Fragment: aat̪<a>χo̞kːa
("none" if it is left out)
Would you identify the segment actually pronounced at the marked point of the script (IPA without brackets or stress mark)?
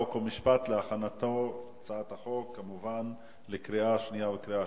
a